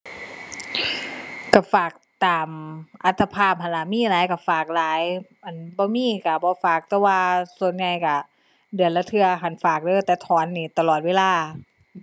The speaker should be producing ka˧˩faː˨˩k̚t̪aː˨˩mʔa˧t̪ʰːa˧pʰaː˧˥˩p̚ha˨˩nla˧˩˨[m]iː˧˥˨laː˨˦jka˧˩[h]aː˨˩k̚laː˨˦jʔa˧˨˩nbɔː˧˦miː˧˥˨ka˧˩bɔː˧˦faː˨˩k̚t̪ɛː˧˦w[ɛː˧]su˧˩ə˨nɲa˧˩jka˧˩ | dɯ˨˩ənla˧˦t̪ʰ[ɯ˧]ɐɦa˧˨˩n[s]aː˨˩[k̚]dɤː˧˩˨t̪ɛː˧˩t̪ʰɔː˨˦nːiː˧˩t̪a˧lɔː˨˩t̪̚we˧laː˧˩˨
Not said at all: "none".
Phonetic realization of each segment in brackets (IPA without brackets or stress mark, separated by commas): m, f, aː˧, ɯ˧, f, k̚